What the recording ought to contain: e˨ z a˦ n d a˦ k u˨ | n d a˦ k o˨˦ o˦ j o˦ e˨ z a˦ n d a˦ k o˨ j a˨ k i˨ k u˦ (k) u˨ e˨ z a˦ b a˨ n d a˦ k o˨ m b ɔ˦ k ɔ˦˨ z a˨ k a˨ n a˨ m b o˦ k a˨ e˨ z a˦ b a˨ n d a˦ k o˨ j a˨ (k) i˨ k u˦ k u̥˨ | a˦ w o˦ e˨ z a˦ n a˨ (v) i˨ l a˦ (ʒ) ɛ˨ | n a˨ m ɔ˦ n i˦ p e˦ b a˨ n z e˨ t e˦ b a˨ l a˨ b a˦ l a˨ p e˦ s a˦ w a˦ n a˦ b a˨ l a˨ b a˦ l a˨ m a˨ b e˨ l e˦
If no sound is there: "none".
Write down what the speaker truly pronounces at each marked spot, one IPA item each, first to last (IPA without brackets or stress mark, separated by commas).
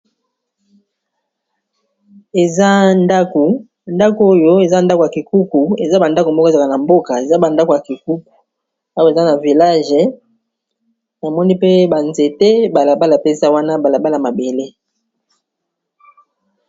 k, k, v, ʒ